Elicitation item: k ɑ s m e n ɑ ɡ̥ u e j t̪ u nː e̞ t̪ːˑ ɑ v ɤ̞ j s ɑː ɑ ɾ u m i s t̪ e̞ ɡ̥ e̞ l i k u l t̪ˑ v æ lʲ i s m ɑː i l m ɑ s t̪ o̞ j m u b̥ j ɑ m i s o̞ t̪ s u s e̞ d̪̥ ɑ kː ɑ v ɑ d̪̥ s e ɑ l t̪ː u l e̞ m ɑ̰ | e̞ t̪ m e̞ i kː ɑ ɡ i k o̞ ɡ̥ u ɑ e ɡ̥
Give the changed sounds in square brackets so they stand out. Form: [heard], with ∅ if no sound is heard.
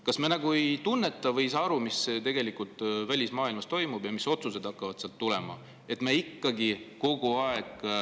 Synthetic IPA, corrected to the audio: k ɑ s m e n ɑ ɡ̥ u e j t̪ u nː e̞ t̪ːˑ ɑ v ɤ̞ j s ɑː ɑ ɾ u m i s t̪ e̞ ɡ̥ e̞ l i k u l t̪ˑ v æ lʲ i s m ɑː i l m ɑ s t̪ o̞ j m u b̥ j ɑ m i s o̞ t̪ s u s e̞ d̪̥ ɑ kː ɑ v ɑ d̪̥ s e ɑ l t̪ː u l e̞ m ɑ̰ | e̞ t̪ m e̞ i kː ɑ ɡ i k o̞ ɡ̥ u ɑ e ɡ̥